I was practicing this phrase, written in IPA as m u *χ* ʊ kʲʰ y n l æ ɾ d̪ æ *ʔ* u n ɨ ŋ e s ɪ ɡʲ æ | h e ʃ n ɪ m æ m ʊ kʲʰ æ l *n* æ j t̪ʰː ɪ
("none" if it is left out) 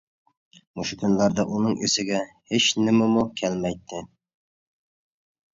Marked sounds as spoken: ʃ, ʔ, m

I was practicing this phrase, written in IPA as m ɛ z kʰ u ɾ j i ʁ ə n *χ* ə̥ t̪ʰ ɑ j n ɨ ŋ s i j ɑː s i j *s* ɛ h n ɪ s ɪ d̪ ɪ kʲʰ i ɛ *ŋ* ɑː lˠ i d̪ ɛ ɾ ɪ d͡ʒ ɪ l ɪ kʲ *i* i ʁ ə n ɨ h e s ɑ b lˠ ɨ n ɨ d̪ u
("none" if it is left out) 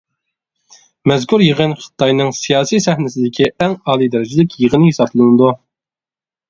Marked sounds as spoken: χ, s, ŋ, j

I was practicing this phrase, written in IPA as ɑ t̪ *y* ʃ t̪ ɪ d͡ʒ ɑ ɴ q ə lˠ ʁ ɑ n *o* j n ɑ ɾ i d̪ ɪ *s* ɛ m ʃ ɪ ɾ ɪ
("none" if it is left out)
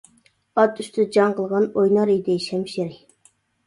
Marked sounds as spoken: y, o, ʃ

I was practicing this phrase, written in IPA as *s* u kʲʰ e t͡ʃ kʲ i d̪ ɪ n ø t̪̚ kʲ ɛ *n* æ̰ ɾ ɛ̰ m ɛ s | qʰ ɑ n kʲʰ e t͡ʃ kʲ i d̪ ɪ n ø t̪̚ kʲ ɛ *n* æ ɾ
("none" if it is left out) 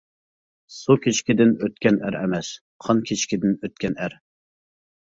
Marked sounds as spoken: s, n, n

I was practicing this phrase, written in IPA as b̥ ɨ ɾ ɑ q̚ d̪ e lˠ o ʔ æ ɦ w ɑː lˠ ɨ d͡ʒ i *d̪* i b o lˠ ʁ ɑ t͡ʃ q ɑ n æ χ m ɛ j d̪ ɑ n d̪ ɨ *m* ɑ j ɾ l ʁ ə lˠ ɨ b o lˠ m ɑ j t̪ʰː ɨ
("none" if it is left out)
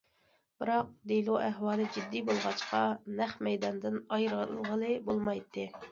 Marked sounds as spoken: d̪ː, n

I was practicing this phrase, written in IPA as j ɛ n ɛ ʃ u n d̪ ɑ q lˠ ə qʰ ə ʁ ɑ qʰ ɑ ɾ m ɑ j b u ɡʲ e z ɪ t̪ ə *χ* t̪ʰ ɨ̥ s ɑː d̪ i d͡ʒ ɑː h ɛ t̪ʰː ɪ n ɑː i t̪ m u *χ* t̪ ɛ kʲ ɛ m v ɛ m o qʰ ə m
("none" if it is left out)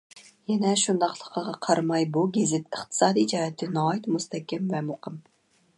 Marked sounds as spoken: χ, s

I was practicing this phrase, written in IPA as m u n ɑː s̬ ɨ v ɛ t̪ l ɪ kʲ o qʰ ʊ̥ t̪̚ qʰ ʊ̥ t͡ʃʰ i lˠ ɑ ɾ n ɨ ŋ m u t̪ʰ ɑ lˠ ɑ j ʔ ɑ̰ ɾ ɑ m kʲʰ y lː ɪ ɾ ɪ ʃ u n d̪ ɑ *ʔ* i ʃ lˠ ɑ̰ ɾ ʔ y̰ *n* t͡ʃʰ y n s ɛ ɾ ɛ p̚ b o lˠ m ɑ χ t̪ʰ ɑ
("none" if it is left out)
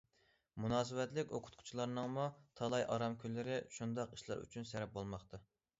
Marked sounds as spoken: q, none

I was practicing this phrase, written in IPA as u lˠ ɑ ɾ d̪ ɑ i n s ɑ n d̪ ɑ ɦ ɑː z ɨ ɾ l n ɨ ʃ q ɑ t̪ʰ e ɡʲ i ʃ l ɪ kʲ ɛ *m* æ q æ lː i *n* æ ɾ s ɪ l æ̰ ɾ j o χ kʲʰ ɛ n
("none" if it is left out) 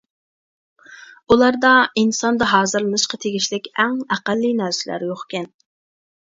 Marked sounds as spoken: ŋ, n

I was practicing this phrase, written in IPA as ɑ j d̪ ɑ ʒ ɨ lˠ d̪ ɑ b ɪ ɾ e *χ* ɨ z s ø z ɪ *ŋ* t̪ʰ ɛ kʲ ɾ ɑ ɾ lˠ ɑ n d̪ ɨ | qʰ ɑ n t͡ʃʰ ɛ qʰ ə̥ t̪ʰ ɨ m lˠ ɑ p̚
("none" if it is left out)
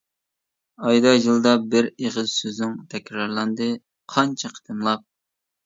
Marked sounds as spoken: ʁ, ŋ

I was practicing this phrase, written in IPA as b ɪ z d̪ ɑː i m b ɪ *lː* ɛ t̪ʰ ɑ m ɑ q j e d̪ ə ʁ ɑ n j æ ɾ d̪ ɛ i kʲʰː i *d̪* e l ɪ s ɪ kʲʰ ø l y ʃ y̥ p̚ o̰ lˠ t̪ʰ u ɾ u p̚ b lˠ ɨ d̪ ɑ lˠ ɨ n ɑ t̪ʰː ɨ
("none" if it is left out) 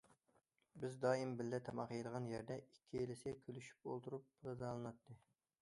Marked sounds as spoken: lː, none

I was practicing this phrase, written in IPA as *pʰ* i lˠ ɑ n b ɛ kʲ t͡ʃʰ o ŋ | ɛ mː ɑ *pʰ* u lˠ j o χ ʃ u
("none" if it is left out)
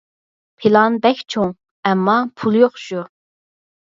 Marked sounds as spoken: pʰ, pʰ

